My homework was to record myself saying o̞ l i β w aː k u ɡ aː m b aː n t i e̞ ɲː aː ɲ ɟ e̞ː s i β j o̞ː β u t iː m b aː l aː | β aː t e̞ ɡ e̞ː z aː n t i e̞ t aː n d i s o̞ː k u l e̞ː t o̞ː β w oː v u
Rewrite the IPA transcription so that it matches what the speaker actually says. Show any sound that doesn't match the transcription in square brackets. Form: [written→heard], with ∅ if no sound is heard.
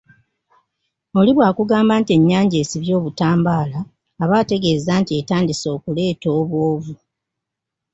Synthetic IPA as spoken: o̞ l i β w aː k u ɡ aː m b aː n t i e̞ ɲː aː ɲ ɟ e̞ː s i β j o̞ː β u t [iː→aː] m b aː l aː | β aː t e̞ ɡ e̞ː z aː n t i e̞ t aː n d i s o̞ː k u l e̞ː t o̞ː β w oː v u